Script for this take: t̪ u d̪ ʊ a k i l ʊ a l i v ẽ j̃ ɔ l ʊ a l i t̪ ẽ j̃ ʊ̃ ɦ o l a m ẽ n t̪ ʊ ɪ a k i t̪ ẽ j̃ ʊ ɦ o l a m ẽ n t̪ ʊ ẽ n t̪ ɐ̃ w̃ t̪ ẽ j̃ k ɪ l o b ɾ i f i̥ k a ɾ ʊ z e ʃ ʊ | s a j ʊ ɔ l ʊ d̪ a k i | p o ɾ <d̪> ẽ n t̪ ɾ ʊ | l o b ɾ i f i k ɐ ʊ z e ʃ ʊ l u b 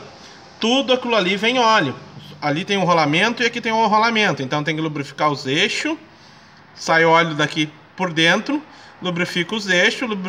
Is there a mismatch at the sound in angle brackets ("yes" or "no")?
no